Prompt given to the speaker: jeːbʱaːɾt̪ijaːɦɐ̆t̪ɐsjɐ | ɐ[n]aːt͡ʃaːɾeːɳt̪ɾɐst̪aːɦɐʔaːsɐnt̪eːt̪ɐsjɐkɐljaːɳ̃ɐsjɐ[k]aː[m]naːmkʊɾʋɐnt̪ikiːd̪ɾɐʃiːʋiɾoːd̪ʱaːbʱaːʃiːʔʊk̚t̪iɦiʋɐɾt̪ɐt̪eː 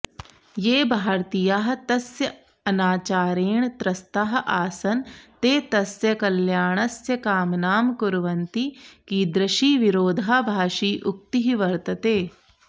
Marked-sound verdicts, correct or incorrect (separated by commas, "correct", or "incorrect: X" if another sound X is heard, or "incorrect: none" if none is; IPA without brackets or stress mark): correct, correct, correct